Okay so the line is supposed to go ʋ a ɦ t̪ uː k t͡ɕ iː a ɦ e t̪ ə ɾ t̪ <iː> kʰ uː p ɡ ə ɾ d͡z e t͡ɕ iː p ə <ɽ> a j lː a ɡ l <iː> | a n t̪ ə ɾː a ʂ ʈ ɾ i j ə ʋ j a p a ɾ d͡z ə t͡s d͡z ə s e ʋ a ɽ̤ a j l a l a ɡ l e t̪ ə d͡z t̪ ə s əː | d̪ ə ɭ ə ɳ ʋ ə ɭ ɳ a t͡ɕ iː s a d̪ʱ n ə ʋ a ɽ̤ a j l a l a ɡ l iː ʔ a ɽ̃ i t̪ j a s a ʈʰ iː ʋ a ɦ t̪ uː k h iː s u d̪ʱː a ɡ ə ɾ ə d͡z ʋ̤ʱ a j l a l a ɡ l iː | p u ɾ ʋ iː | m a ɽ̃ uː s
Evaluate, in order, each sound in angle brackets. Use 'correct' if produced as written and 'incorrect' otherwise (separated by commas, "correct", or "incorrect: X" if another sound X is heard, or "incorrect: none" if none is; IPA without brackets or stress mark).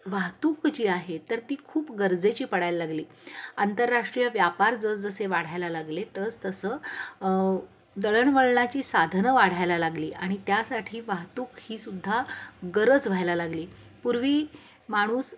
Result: correct, correct, correct